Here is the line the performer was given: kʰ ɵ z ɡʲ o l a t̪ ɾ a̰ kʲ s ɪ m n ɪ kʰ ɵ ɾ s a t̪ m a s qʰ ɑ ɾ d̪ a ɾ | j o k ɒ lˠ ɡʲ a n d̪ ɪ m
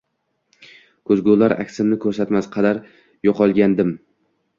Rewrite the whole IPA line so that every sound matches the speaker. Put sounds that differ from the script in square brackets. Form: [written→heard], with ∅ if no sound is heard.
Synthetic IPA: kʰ ɵ z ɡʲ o l a [t̪→∅] ɾ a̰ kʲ s ɪ m n ɪ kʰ ɵ ɾ s a t̪ m a s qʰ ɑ [ɾ→∅] d̪ a ɾ | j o [k→q] ɒ lˠ ɡʲ a n d̪ ɪ m